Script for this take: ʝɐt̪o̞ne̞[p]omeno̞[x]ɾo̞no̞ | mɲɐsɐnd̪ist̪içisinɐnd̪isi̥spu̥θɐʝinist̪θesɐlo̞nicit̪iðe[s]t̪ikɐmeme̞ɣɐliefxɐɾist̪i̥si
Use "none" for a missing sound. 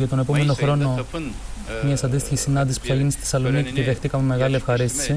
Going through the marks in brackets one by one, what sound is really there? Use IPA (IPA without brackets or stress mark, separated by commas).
p, x, x